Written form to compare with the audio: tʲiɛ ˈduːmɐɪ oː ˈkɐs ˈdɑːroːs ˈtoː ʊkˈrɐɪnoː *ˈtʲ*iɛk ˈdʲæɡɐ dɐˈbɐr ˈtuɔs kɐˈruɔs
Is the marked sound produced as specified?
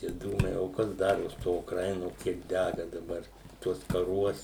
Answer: no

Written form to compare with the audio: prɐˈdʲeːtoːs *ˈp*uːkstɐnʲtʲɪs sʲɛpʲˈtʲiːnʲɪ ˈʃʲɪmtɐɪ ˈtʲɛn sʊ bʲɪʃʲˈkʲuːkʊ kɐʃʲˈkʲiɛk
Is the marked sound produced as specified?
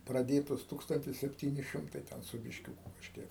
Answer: no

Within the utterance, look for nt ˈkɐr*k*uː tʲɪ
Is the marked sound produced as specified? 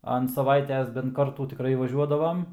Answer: no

